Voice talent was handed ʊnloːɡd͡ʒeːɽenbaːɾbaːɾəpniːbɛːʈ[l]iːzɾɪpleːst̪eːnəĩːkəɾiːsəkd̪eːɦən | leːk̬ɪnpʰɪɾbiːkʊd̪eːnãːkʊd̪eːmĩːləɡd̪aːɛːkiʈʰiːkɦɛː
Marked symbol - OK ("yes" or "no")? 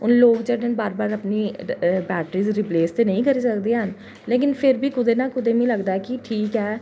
no